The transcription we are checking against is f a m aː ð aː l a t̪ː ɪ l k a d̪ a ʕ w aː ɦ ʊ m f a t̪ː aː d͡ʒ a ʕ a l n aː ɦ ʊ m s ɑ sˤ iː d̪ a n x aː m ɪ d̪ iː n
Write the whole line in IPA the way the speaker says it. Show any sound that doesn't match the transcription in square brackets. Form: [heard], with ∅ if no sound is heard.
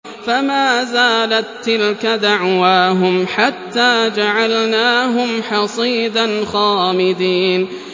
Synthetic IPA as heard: f a m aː [z] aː l a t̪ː ɪ l k a d̪ a ʕ w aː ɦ ʊ m [ħ] a t̪ː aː d͡ʒ a ʕ a l n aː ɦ ʊ m [ħ] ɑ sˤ iː d̪ a n x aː m ɪ d̪ iː n